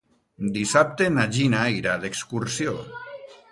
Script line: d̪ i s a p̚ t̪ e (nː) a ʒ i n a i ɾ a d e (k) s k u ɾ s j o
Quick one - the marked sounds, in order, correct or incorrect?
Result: incorrect, correct

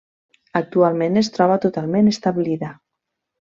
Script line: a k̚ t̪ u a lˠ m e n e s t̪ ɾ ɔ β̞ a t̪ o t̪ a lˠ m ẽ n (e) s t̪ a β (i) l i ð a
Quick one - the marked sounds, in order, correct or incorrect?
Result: correct, correct

